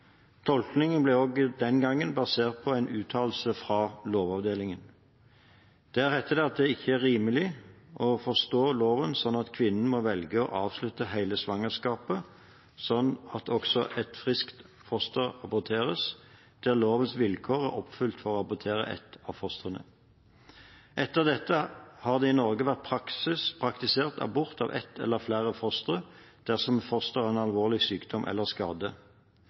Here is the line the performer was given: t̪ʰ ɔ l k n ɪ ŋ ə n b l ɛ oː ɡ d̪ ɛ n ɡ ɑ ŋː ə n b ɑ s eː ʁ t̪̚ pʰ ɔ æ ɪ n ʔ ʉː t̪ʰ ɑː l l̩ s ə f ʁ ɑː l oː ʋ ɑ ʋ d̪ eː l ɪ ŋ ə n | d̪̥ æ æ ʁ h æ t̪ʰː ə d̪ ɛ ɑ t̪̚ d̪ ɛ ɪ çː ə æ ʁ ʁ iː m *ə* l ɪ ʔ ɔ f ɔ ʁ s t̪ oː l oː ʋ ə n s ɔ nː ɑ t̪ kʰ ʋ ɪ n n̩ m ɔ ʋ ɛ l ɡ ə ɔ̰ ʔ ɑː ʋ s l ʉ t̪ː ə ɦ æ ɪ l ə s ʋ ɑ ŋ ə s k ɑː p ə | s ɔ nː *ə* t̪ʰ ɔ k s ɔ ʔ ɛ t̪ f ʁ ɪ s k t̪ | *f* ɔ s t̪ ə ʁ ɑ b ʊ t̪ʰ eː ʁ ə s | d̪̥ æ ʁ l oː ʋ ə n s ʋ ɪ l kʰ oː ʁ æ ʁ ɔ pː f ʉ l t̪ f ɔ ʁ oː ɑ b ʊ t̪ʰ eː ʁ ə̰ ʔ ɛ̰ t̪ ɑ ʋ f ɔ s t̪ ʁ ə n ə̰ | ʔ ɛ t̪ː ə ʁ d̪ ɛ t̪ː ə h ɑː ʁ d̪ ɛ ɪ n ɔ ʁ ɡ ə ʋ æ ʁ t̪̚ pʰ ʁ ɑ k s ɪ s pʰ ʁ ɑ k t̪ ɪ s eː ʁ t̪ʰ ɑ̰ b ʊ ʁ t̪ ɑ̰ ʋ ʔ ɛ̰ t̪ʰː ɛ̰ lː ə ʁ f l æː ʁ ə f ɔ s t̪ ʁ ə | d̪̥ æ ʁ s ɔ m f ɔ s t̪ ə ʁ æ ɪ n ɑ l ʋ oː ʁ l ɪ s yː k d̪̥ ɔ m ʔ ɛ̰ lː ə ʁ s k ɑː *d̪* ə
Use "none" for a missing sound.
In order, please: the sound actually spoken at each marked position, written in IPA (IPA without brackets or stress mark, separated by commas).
ə, ɑ, f, d̪